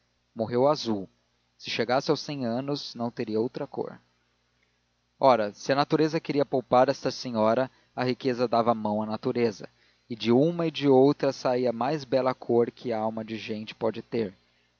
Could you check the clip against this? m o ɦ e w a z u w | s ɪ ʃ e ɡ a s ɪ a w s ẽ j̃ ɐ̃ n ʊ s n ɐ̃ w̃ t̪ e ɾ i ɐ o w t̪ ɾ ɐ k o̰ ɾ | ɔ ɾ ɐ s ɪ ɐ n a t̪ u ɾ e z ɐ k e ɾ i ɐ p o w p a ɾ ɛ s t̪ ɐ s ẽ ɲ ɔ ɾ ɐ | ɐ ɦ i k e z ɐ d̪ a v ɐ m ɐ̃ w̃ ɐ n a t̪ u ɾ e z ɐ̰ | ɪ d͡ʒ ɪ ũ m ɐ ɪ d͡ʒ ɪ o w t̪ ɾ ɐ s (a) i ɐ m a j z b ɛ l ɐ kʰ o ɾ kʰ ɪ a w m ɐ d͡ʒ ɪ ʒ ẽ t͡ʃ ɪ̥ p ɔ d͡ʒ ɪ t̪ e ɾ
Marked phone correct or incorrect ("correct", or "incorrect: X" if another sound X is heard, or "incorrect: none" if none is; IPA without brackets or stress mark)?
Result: correct